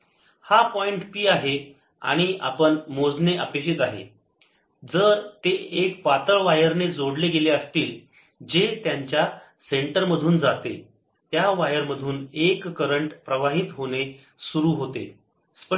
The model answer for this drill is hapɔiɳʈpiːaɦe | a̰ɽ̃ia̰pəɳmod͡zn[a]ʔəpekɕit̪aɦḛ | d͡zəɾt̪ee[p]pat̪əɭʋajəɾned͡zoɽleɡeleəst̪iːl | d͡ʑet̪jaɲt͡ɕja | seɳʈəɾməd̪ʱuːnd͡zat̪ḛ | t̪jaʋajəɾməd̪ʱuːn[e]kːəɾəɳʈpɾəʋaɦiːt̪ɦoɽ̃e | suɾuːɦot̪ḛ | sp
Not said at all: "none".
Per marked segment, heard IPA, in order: e, k, e

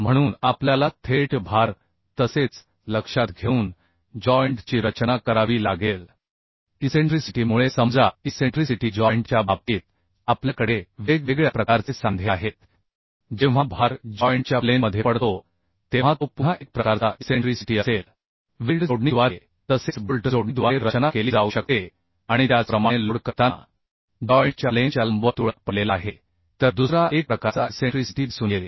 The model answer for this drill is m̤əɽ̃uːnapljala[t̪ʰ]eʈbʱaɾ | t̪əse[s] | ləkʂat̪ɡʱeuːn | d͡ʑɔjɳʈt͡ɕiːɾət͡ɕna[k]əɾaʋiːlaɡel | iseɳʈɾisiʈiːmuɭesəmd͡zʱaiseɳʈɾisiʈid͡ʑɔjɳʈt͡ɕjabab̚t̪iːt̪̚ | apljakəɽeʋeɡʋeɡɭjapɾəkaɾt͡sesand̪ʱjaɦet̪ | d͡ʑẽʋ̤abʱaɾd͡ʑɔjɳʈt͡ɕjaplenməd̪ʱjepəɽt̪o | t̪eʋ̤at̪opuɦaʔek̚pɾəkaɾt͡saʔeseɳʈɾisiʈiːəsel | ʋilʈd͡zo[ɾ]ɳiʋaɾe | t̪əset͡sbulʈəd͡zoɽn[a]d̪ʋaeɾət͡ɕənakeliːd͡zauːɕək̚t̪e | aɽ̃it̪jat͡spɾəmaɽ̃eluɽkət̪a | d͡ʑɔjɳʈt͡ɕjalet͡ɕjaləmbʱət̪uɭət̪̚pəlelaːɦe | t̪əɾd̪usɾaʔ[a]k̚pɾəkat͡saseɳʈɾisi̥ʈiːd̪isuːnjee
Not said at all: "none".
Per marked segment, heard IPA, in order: t̪ʰ, t͡s, k, ɽ, i, e

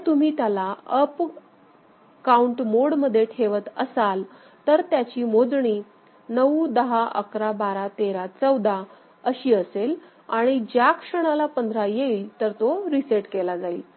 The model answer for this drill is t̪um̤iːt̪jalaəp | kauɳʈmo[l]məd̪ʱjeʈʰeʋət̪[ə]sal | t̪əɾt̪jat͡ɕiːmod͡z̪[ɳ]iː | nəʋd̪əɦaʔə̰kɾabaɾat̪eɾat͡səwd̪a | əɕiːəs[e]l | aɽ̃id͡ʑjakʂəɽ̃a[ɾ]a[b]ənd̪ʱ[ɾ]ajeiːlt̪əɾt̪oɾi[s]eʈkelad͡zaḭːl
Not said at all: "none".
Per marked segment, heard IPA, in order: ɽ, ə, ɳ, e, l, p, ɾ, s

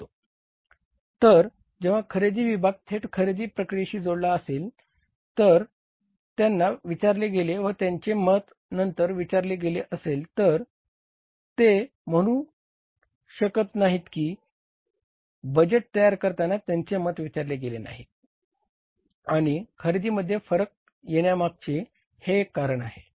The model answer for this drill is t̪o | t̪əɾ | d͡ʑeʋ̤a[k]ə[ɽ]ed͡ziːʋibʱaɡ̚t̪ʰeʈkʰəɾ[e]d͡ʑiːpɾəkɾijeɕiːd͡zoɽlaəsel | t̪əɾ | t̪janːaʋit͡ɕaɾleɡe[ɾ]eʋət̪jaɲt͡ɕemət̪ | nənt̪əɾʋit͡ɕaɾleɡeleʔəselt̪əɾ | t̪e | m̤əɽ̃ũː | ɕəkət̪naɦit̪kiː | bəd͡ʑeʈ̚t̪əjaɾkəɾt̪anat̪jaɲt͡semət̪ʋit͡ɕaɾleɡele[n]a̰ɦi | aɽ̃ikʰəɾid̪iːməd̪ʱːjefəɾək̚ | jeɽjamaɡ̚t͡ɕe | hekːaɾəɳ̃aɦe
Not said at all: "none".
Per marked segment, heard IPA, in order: kʰ, ɾ, e, l, n

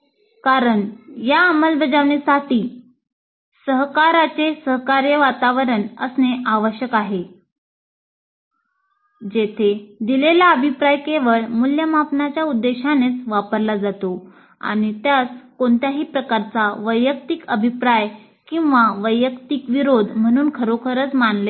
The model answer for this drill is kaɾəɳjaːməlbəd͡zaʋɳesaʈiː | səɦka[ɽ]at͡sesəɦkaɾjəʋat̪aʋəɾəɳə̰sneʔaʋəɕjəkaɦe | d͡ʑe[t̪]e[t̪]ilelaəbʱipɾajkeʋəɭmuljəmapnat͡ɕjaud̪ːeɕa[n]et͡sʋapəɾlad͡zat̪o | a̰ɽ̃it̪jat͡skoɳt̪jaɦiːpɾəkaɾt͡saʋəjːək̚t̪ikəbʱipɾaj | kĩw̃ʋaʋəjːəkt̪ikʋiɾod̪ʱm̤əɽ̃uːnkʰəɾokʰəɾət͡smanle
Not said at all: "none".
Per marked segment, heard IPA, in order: ɾ, t̪ʰ, d̪, n

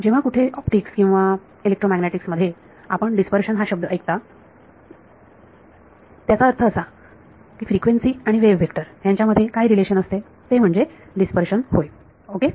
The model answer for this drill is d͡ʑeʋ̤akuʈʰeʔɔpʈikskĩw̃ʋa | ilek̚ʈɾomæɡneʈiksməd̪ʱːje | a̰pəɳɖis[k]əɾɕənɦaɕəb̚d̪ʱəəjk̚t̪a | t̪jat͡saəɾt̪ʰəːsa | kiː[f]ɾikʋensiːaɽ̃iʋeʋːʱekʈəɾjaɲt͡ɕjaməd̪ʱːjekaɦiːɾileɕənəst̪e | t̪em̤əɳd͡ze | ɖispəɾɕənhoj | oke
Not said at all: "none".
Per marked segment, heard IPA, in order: p, f

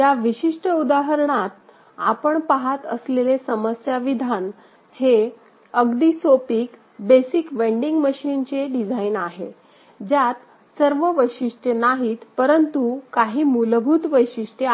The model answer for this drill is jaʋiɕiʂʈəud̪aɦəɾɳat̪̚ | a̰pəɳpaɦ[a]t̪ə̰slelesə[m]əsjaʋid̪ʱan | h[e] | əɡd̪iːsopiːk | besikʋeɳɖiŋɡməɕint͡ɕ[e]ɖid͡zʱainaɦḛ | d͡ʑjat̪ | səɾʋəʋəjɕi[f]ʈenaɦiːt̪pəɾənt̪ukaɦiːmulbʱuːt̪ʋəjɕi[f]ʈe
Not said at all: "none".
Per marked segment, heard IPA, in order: a, m, e, e, ʂ, ʂ

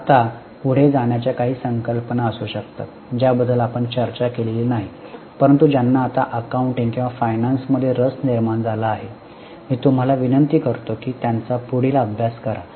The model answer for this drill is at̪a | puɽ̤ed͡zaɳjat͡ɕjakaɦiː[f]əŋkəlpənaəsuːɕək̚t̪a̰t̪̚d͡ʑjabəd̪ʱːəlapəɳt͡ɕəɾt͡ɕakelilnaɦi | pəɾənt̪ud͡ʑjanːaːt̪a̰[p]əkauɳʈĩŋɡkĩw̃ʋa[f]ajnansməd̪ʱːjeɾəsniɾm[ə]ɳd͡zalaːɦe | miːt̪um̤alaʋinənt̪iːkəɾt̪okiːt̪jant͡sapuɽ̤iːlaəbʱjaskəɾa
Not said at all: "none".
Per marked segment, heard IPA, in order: s, ʔ, f, a

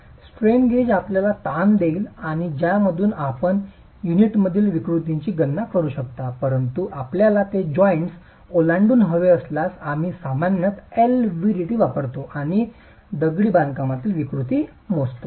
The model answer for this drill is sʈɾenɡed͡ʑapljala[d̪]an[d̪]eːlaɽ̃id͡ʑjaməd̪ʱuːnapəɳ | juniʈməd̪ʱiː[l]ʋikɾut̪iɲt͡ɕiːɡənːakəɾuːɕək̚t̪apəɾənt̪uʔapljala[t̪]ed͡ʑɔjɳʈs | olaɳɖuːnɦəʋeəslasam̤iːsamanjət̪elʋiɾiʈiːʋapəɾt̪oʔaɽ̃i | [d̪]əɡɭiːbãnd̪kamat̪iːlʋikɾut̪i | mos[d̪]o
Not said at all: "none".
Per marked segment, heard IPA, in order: t̪, d̪, l, t̪, d̪, t̪

